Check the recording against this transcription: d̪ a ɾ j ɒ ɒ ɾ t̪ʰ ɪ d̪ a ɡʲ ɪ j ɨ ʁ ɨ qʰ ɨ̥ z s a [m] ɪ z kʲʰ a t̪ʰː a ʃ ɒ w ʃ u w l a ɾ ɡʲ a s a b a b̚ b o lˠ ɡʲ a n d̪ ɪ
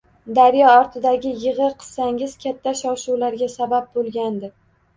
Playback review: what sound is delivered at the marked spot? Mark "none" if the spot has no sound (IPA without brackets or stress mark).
ŋ